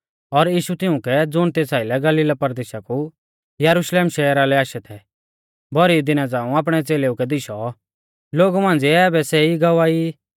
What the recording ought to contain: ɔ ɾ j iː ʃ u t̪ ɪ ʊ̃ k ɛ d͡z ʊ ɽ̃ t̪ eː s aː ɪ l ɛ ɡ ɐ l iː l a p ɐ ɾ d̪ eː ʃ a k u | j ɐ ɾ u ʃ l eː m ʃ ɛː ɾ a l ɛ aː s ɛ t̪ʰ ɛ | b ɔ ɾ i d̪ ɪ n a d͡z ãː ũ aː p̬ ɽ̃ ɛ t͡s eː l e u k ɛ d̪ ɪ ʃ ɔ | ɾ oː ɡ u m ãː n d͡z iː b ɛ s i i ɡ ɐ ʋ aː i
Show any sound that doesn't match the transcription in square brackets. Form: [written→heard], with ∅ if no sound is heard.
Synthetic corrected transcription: ɔ ɾ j iː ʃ u t̪ ɪ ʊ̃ k ɛ d͡z ʊ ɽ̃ t̪ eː s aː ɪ l ɛ ɡ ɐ l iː l a p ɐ ɾ d̪ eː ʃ a k u | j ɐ ɾ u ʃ l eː m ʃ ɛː ɾ a l ɛ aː [s→ʃ] ɛ t̪ʰ ɛ | b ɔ ɾ i d̪ ɪ n a d͡z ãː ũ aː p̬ ɽ̃ ɛ t͡s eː l e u k ɛ d̪ ɪ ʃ ɔ | [ɾ→l] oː ɡ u m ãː n d͡z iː b ɛ s [i→ɛ] i ɡ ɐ ʋ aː i

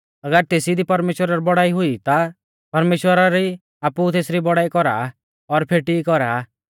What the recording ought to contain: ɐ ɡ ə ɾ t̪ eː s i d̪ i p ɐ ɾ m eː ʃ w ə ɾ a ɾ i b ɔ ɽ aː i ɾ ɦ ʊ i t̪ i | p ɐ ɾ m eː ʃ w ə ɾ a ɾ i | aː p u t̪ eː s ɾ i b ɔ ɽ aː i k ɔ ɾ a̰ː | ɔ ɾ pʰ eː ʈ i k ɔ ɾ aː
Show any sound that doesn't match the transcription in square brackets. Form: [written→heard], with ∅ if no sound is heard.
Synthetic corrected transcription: ɐ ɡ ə ɾ t̪ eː s i d̪ i p ɐ ɾ m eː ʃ w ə ɾ a ɾ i b ɔ ɽ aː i [ɾ→∅] ɦ ʊ i t̪ [i→a] | p ɐ ɾ m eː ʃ w ə ɾ a ɾ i | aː p u t̪ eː s ɾ i b ɔ ɽ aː i k ɔ ɾ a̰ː | ɔ ɾ pʰ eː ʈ i k ɔ ɾ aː

